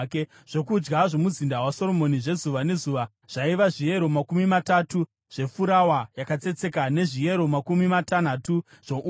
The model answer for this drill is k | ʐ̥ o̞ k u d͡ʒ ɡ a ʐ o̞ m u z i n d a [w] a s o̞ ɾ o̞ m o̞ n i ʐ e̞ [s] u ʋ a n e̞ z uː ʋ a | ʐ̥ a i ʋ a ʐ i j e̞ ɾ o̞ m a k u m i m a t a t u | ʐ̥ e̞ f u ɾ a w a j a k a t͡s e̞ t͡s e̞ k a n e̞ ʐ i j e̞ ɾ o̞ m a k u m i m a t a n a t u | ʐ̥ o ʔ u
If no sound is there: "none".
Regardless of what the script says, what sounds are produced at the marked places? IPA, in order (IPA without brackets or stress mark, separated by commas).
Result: w, z